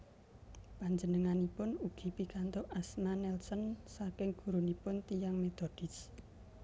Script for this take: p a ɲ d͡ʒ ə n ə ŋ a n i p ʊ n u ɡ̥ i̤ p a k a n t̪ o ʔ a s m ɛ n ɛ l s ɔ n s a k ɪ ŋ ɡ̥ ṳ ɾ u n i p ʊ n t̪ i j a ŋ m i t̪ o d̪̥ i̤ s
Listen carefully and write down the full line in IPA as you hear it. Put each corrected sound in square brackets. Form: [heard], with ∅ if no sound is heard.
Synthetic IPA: p a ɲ d͡ʒ ə n ə ŋ a n i p ʊ n u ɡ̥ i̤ p [i] k a n t̪ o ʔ a s m [a] n ɛ l s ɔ n s a k ɪ ŋ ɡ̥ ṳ ɾ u n i p ʊ n t̪ i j a ŋ m [e] t̪ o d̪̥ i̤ s